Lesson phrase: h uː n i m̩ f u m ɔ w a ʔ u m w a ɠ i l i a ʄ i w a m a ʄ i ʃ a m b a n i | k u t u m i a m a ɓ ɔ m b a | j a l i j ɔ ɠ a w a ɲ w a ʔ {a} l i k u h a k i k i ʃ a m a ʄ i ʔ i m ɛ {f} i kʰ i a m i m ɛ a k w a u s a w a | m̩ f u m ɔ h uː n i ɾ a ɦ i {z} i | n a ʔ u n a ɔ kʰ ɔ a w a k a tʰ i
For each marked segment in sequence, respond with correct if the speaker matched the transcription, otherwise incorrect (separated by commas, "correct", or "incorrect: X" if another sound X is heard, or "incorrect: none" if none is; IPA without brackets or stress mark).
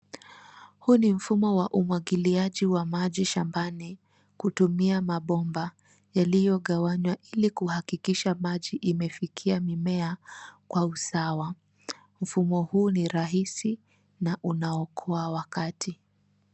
incorrect: i, correct, incorrect: s